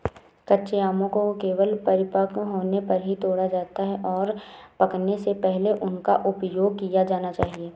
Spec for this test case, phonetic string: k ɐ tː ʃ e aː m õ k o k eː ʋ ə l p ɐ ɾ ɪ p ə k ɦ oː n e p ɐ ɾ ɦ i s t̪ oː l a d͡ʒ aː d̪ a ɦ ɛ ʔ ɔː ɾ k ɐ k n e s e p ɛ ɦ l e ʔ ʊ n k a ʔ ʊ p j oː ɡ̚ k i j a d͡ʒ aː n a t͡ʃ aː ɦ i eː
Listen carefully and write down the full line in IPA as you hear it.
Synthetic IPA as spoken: k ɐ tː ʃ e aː m õ k o k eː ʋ ə l p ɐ ɾ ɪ p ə k ɦ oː n e p ɐ ɾ ɦ i t̪ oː ɽ a d͡ʒ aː t̪ a ɦ ɛ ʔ ɔː ɾ p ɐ k n e s e p ɛ ɦ l e ʔ ʊ n k a ʔ ʊ p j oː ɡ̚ k i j a d͡ʒ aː n a t͡ʃ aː ɦ i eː